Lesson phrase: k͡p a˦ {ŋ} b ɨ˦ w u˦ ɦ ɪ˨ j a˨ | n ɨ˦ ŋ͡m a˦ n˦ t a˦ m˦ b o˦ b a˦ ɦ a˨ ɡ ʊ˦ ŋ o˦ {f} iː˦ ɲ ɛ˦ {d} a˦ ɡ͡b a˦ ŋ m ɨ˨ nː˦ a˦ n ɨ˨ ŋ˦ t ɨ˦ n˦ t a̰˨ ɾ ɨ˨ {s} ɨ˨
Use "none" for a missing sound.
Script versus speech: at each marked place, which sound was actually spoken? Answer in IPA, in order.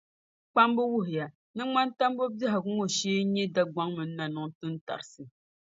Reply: m, ʃ, d, s

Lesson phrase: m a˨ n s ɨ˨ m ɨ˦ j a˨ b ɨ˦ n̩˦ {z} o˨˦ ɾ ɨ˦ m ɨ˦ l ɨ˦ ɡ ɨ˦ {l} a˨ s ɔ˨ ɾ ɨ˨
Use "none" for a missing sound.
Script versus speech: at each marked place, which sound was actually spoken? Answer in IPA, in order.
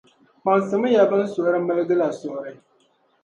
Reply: s, l

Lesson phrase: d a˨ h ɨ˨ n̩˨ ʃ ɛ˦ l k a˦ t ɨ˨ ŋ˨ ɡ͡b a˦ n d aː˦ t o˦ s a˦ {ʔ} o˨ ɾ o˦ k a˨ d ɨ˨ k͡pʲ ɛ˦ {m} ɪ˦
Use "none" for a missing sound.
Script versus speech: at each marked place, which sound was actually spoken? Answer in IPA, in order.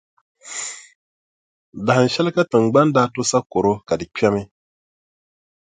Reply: k, m

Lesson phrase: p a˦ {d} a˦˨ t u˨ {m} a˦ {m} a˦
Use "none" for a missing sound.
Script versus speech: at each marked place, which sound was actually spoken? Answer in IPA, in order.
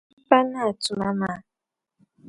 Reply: n, m, m

